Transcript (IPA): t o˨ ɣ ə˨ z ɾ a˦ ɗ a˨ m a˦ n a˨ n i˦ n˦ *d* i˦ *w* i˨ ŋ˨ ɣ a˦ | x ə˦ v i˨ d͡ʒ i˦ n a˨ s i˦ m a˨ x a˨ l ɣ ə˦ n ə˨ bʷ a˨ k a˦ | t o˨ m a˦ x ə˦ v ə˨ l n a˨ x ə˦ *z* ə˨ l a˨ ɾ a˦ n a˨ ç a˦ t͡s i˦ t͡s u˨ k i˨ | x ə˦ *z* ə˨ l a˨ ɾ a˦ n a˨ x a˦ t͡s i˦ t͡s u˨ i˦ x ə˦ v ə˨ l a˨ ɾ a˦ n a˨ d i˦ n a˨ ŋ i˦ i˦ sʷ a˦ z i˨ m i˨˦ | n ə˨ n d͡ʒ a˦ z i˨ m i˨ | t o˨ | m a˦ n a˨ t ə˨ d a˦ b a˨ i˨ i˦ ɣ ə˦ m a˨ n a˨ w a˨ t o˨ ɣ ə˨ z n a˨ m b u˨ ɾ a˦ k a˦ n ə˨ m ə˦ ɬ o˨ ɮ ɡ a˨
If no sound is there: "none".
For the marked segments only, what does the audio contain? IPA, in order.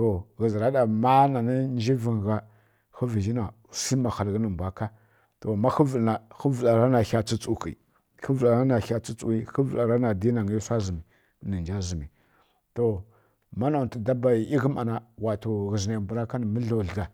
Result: d͡ʒ, v, v, v

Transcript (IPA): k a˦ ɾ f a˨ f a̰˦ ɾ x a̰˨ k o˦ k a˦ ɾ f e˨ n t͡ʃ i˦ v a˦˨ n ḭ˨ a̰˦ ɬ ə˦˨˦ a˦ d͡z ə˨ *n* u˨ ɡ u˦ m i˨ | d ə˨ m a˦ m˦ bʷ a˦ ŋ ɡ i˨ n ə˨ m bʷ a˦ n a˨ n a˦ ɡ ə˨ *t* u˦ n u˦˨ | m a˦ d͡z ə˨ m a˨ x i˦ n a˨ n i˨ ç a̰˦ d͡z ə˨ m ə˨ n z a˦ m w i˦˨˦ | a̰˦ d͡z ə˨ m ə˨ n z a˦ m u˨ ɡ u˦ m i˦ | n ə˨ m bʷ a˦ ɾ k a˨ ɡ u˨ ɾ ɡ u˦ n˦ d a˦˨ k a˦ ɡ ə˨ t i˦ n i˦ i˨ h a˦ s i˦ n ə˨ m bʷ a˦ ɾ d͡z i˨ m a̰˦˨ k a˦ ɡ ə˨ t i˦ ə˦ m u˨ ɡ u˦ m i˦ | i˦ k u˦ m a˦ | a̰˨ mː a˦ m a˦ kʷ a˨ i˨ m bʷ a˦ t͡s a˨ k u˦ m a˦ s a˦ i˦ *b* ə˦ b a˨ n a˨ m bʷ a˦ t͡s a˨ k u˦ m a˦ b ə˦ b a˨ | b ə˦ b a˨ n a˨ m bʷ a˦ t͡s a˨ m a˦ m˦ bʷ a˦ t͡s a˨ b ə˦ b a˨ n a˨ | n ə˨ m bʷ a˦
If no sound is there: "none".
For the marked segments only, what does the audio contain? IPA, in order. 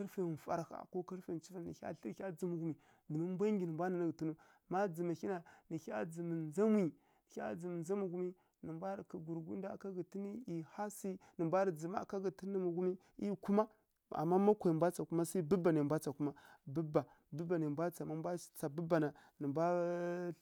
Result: m, t, b

